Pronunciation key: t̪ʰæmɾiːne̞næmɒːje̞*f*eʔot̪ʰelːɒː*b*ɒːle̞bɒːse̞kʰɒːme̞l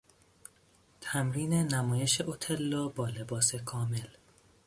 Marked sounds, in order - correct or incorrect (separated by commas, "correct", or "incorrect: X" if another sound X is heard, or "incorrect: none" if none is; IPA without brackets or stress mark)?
incorrect: ʃ, correct